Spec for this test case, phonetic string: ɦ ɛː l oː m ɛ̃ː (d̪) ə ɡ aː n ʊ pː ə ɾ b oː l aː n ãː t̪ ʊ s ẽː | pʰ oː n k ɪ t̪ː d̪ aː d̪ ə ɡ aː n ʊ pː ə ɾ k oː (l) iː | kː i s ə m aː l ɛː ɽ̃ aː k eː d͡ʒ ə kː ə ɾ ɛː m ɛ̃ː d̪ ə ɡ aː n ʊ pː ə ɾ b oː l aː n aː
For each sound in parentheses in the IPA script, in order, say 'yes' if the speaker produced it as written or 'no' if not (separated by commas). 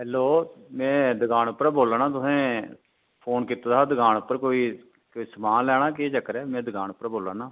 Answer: yes, no